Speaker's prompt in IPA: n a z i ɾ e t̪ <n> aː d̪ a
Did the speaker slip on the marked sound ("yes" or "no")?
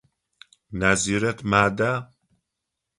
yes